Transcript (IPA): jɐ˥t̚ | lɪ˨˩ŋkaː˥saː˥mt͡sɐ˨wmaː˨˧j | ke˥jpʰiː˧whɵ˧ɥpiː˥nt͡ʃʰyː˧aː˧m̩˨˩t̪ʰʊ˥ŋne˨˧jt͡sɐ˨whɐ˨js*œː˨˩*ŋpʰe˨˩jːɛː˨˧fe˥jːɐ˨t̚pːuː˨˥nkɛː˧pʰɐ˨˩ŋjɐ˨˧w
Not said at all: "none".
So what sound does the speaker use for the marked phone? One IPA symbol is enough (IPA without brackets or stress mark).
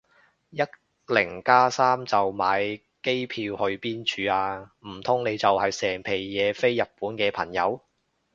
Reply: ɛː˨˩